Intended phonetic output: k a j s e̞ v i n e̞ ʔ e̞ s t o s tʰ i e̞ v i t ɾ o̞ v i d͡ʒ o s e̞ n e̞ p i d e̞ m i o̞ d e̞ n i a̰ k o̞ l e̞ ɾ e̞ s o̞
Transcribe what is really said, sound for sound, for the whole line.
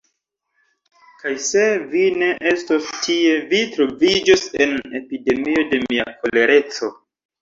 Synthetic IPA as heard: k a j s e̞ v i n e̞ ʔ e̞ s t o s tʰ i e̞ v i t ɾ o̞ v i d͡ʒ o s e̞ n e̞ p i d e̞ m i o̞ d e̞ m i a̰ k o̞ l e̞ ɾ e̞ t͡s o̞